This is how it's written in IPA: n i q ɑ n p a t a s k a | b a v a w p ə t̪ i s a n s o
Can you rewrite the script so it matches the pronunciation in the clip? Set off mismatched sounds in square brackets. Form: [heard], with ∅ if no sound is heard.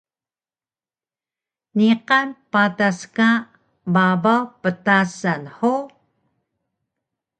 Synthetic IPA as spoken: n i q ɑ n p a t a s k a | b a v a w p ə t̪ [a] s a n [ħ] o